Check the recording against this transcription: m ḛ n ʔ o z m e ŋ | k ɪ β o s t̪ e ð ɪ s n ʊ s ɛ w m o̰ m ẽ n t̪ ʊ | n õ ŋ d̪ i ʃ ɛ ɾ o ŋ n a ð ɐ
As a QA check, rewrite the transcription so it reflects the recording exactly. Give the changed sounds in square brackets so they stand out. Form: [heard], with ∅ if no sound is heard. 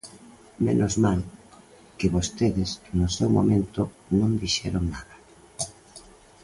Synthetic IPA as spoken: m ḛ n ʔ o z m [a] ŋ | k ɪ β o s t̪ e ð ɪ s n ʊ s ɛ w m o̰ m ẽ n t̪ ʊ | n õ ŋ d̪ i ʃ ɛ ɾ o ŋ n a ð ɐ